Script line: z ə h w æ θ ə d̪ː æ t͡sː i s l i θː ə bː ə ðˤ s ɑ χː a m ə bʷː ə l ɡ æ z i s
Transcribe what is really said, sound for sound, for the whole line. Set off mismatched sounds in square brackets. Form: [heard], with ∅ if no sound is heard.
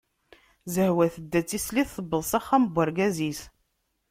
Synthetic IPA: z ə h w æ θ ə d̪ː æ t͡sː i s l i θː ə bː ə ðˤ s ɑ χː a m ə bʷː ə [ɾ] ɡ æ z i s